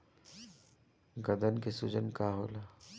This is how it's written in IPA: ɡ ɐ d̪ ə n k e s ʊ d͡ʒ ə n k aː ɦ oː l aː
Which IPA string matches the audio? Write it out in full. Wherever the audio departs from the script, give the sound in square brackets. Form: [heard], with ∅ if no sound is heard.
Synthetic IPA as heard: ɡ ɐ d̪ ə n k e s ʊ d͡ʒ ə n k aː ɦ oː l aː